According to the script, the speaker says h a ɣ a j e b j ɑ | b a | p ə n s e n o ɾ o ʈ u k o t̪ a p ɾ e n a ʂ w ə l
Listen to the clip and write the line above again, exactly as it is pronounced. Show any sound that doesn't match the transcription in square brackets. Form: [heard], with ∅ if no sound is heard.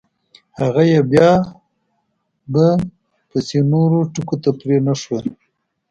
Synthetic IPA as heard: h a ɣ a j e b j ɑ | b a | p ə [∅] s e n o ɾ o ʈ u k o t̪ a p ɾ e n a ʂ w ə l